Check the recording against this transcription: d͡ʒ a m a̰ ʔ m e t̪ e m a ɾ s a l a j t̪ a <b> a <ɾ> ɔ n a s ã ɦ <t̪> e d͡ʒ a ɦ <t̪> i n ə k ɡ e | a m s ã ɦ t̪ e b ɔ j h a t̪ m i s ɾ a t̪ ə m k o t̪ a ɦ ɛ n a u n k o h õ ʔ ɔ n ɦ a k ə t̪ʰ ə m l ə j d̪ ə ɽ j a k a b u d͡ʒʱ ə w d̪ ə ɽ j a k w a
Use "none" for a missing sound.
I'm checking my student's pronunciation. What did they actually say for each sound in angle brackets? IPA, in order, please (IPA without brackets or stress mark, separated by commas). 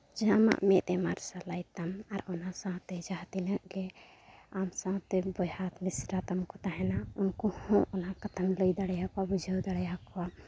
m, ɾ, t̪, t̪